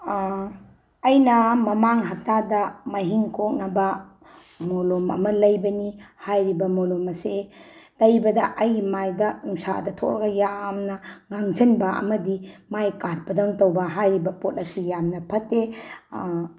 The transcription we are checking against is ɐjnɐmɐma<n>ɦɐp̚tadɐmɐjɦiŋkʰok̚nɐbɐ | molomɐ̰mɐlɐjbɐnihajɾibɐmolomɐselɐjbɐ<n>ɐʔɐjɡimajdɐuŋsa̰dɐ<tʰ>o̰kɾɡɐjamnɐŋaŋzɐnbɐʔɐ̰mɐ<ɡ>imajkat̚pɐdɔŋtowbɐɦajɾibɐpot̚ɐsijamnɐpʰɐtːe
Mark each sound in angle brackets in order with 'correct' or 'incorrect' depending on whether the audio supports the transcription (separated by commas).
incorrect, incorrect, correct, incorrect